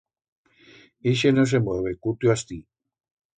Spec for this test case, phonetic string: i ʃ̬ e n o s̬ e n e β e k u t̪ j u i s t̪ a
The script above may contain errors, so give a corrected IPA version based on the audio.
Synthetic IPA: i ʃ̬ e n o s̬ e m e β e k u t̪ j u a s t̪ i